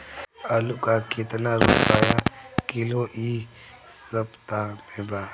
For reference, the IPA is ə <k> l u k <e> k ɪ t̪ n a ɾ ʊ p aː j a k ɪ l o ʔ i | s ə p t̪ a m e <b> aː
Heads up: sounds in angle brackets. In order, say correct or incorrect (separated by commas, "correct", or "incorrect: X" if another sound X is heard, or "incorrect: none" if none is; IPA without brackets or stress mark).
incorrect: none, incorrect: a, correct